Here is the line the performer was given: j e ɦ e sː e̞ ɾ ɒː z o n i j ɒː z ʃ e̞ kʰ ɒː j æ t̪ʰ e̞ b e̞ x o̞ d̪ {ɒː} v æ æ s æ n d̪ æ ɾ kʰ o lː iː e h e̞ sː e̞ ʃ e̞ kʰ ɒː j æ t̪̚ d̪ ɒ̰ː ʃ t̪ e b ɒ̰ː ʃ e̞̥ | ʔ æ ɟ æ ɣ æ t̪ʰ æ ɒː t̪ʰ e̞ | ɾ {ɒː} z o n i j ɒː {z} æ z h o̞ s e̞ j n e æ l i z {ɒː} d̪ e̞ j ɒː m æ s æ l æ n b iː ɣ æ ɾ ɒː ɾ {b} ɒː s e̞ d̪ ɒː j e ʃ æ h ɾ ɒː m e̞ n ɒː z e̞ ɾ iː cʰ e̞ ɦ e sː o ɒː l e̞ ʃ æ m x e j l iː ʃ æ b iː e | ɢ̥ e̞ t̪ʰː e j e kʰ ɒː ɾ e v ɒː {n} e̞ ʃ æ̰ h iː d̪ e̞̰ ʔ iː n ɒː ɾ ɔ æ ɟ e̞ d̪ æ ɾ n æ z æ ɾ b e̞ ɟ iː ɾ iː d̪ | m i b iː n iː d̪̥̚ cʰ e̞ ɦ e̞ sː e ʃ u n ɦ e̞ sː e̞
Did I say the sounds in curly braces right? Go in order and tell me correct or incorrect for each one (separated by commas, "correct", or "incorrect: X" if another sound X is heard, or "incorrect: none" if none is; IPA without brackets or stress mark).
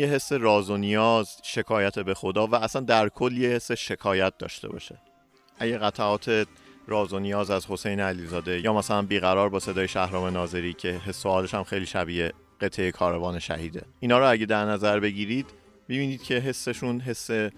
correct, correct, correct, correct, correct, correct